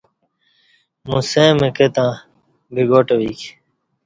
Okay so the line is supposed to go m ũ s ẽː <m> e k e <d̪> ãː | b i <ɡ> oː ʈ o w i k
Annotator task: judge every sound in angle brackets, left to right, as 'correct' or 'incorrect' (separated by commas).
correct, incorrect, correct